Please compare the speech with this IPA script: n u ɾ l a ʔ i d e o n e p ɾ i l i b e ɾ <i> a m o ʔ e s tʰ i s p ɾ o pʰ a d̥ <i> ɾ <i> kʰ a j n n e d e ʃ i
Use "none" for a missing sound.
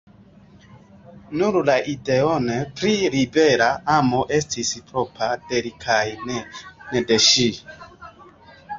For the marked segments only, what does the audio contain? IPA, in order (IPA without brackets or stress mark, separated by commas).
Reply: a, e, i